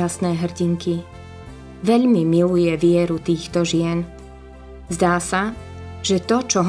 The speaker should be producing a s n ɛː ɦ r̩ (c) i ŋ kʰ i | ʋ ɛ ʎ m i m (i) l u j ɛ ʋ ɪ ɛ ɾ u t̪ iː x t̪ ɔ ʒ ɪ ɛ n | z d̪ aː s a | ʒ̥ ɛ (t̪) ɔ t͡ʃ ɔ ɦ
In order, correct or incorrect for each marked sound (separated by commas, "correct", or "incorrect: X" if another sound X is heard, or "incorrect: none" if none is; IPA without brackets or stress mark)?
incorrect: ɟ, correct, correct